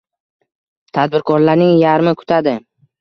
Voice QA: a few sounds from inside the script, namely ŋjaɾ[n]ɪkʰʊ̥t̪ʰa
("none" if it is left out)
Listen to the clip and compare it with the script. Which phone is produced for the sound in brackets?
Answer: m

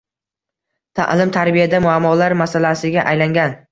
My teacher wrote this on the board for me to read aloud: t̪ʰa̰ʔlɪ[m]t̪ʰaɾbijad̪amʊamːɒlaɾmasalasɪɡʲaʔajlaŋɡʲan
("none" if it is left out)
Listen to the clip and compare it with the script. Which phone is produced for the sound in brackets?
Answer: m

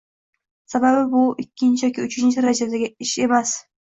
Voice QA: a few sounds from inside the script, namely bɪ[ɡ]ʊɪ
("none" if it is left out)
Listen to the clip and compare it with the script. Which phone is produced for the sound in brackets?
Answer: b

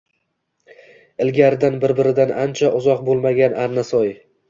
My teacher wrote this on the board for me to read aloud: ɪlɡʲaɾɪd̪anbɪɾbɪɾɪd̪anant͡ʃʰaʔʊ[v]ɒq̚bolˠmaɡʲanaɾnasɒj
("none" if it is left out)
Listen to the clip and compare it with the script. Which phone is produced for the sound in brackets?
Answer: z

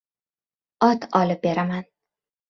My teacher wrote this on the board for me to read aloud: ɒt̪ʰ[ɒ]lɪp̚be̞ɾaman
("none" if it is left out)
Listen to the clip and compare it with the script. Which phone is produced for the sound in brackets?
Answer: ɒ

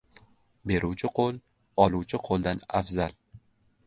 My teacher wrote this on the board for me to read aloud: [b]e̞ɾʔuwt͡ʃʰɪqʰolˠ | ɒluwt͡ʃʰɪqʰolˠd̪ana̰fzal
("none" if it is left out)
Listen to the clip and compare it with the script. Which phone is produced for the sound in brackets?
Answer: b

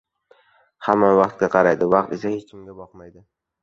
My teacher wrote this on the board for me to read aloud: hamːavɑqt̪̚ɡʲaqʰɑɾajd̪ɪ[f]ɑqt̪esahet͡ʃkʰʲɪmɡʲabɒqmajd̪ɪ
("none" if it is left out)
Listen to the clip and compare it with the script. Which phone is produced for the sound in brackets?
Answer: v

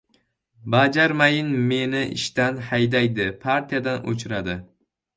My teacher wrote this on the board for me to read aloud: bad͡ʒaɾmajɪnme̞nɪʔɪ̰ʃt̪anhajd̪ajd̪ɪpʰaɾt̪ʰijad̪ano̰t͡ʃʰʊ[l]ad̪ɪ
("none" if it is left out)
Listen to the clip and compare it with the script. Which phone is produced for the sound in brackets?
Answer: ɾ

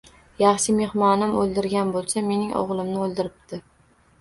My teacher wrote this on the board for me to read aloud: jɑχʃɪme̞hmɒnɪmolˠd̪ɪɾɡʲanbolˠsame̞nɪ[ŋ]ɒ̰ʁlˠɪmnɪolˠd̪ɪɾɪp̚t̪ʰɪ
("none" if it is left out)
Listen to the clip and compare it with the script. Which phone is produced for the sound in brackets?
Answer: ŋ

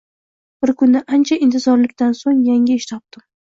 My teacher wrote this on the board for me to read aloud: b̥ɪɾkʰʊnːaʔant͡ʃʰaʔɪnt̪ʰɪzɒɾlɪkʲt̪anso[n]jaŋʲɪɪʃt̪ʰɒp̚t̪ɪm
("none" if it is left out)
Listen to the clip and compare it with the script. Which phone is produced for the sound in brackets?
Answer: ŋ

